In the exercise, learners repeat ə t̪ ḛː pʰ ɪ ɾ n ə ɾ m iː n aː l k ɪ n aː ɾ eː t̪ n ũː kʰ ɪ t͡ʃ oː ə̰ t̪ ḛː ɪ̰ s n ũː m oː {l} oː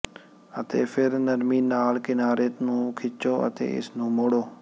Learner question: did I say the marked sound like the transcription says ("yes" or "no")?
no